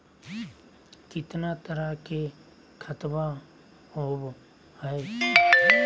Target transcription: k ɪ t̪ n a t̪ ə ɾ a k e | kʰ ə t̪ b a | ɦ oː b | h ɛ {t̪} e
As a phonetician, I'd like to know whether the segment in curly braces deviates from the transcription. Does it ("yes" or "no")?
yes